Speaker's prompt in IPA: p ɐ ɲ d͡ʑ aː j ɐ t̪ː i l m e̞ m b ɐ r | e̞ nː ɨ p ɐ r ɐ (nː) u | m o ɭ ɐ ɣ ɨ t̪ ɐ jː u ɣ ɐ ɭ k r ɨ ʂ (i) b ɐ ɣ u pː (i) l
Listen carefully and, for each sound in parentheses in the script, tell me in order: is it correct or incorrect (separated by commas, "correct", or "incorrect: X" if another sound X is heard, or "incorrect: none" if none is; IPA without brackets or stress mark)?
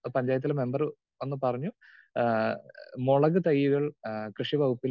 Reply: incorrect: ɲː, correct, correct